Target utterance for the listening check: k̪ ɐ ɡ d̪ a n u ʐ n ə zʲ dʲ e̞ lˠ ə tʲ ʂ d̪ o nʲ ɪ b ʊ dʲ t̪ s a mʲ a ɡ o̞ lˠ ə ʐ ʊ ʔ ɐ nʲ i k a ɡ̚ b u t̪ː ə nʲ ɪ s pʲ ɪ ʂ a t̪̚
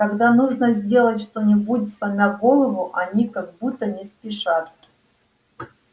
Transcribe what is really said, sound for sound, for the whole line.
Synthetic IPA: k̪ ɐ ɡ d̪ a n u ʐ n ə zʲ dʲ e̞ lˠ ə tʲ ʂ t̪ o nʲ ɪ b u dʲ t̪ s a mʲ a ɡ o̞ lˠ ə v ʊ ʔ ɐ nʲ i k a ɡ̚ b u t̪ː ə nʲ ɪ s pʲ ɪ ʂ a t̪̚